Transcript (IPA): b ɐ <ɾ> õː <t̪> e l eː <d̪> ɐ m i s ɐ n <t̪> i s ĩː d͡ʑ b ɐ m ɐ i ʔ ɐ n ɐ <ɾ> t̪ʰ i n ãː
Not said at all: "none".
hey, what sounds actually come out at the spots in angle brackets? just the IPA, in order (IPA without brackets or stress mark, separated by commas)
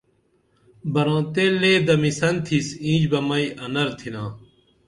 ɾ, t̪, d̪, t̪ʰ, ɾ